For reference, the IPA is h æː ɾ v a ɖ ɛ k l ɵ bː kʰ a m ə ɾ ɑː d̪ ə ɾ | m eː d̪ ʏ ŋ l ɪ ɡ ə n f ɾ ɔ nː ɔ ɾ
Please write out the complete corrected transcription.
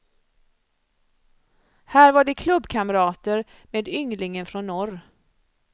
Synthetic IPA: h æː ɾ v a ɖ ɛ kʰ l ɵ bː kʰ a m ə ɾ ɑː t̪ ə ɾ | m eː d̪ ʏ ŋ l ɪ ŋ ə n f ɾ ɔ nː ɔ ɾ